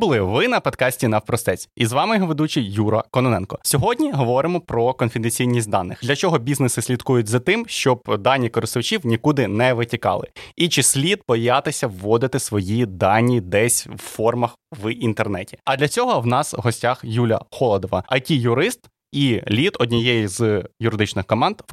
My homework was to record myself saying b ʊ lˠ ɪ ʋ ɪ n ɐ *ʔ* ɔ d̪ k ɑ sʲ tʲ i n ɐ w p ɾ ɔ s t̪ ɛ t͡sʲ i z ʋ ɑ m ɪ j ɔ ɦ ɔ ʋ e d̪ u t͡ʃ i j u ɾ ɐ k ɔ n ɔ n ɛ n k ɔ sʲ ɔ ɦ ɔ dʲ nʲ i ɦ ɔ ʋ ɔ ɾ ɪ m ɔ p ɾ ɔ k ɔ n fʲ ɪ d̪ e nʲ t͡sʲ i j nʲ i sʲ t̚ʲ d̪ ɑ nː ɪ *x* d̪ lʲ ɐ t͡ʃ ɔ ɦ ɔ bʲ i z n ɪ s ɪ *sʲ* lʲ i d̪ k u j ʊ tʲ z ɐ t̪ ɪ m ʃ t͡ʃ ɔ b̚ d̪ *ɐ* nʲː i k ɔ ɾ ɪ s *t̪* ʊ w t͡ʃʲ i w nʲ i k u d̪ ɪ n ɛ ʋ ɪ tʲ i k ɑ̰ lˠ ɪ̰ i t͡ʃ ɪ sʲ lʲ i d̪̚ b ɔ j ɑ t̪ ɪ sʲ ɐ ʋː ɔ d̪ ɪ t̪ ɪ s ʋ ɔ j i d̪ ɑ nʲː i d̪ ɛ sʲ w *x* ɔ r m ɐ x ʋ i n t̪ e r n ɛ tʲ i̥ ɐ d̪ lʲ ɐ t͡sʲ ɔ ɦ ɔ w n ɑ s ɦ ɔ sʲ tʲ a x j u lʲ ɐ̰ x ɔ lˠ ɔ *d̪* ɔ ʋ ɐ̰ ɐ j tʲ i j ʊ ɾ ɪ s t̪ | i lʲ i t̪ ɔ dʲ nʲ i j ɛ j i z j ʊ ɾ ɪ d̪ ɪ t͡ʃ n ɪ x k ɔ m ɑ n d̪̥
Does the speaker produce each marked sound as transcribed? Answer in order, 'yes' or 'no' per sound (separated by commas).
no, yes, yes, no, yes, no, yes